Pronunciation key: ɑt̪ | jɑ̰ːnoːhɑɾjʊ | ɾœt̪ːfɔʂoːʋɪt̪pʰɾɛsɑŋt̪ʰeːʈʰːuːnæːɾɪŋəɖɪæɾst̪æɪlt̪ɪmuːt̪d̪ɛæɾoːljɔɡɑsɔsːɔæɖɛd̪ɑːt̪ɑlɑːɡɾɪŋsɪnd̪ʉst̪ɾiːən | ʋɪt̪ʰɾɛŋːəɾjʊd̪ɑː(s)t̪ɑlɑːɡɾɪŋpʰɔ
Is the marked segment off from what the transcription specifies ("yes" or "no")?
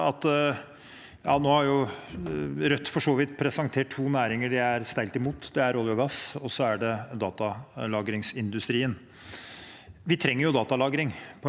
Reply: yes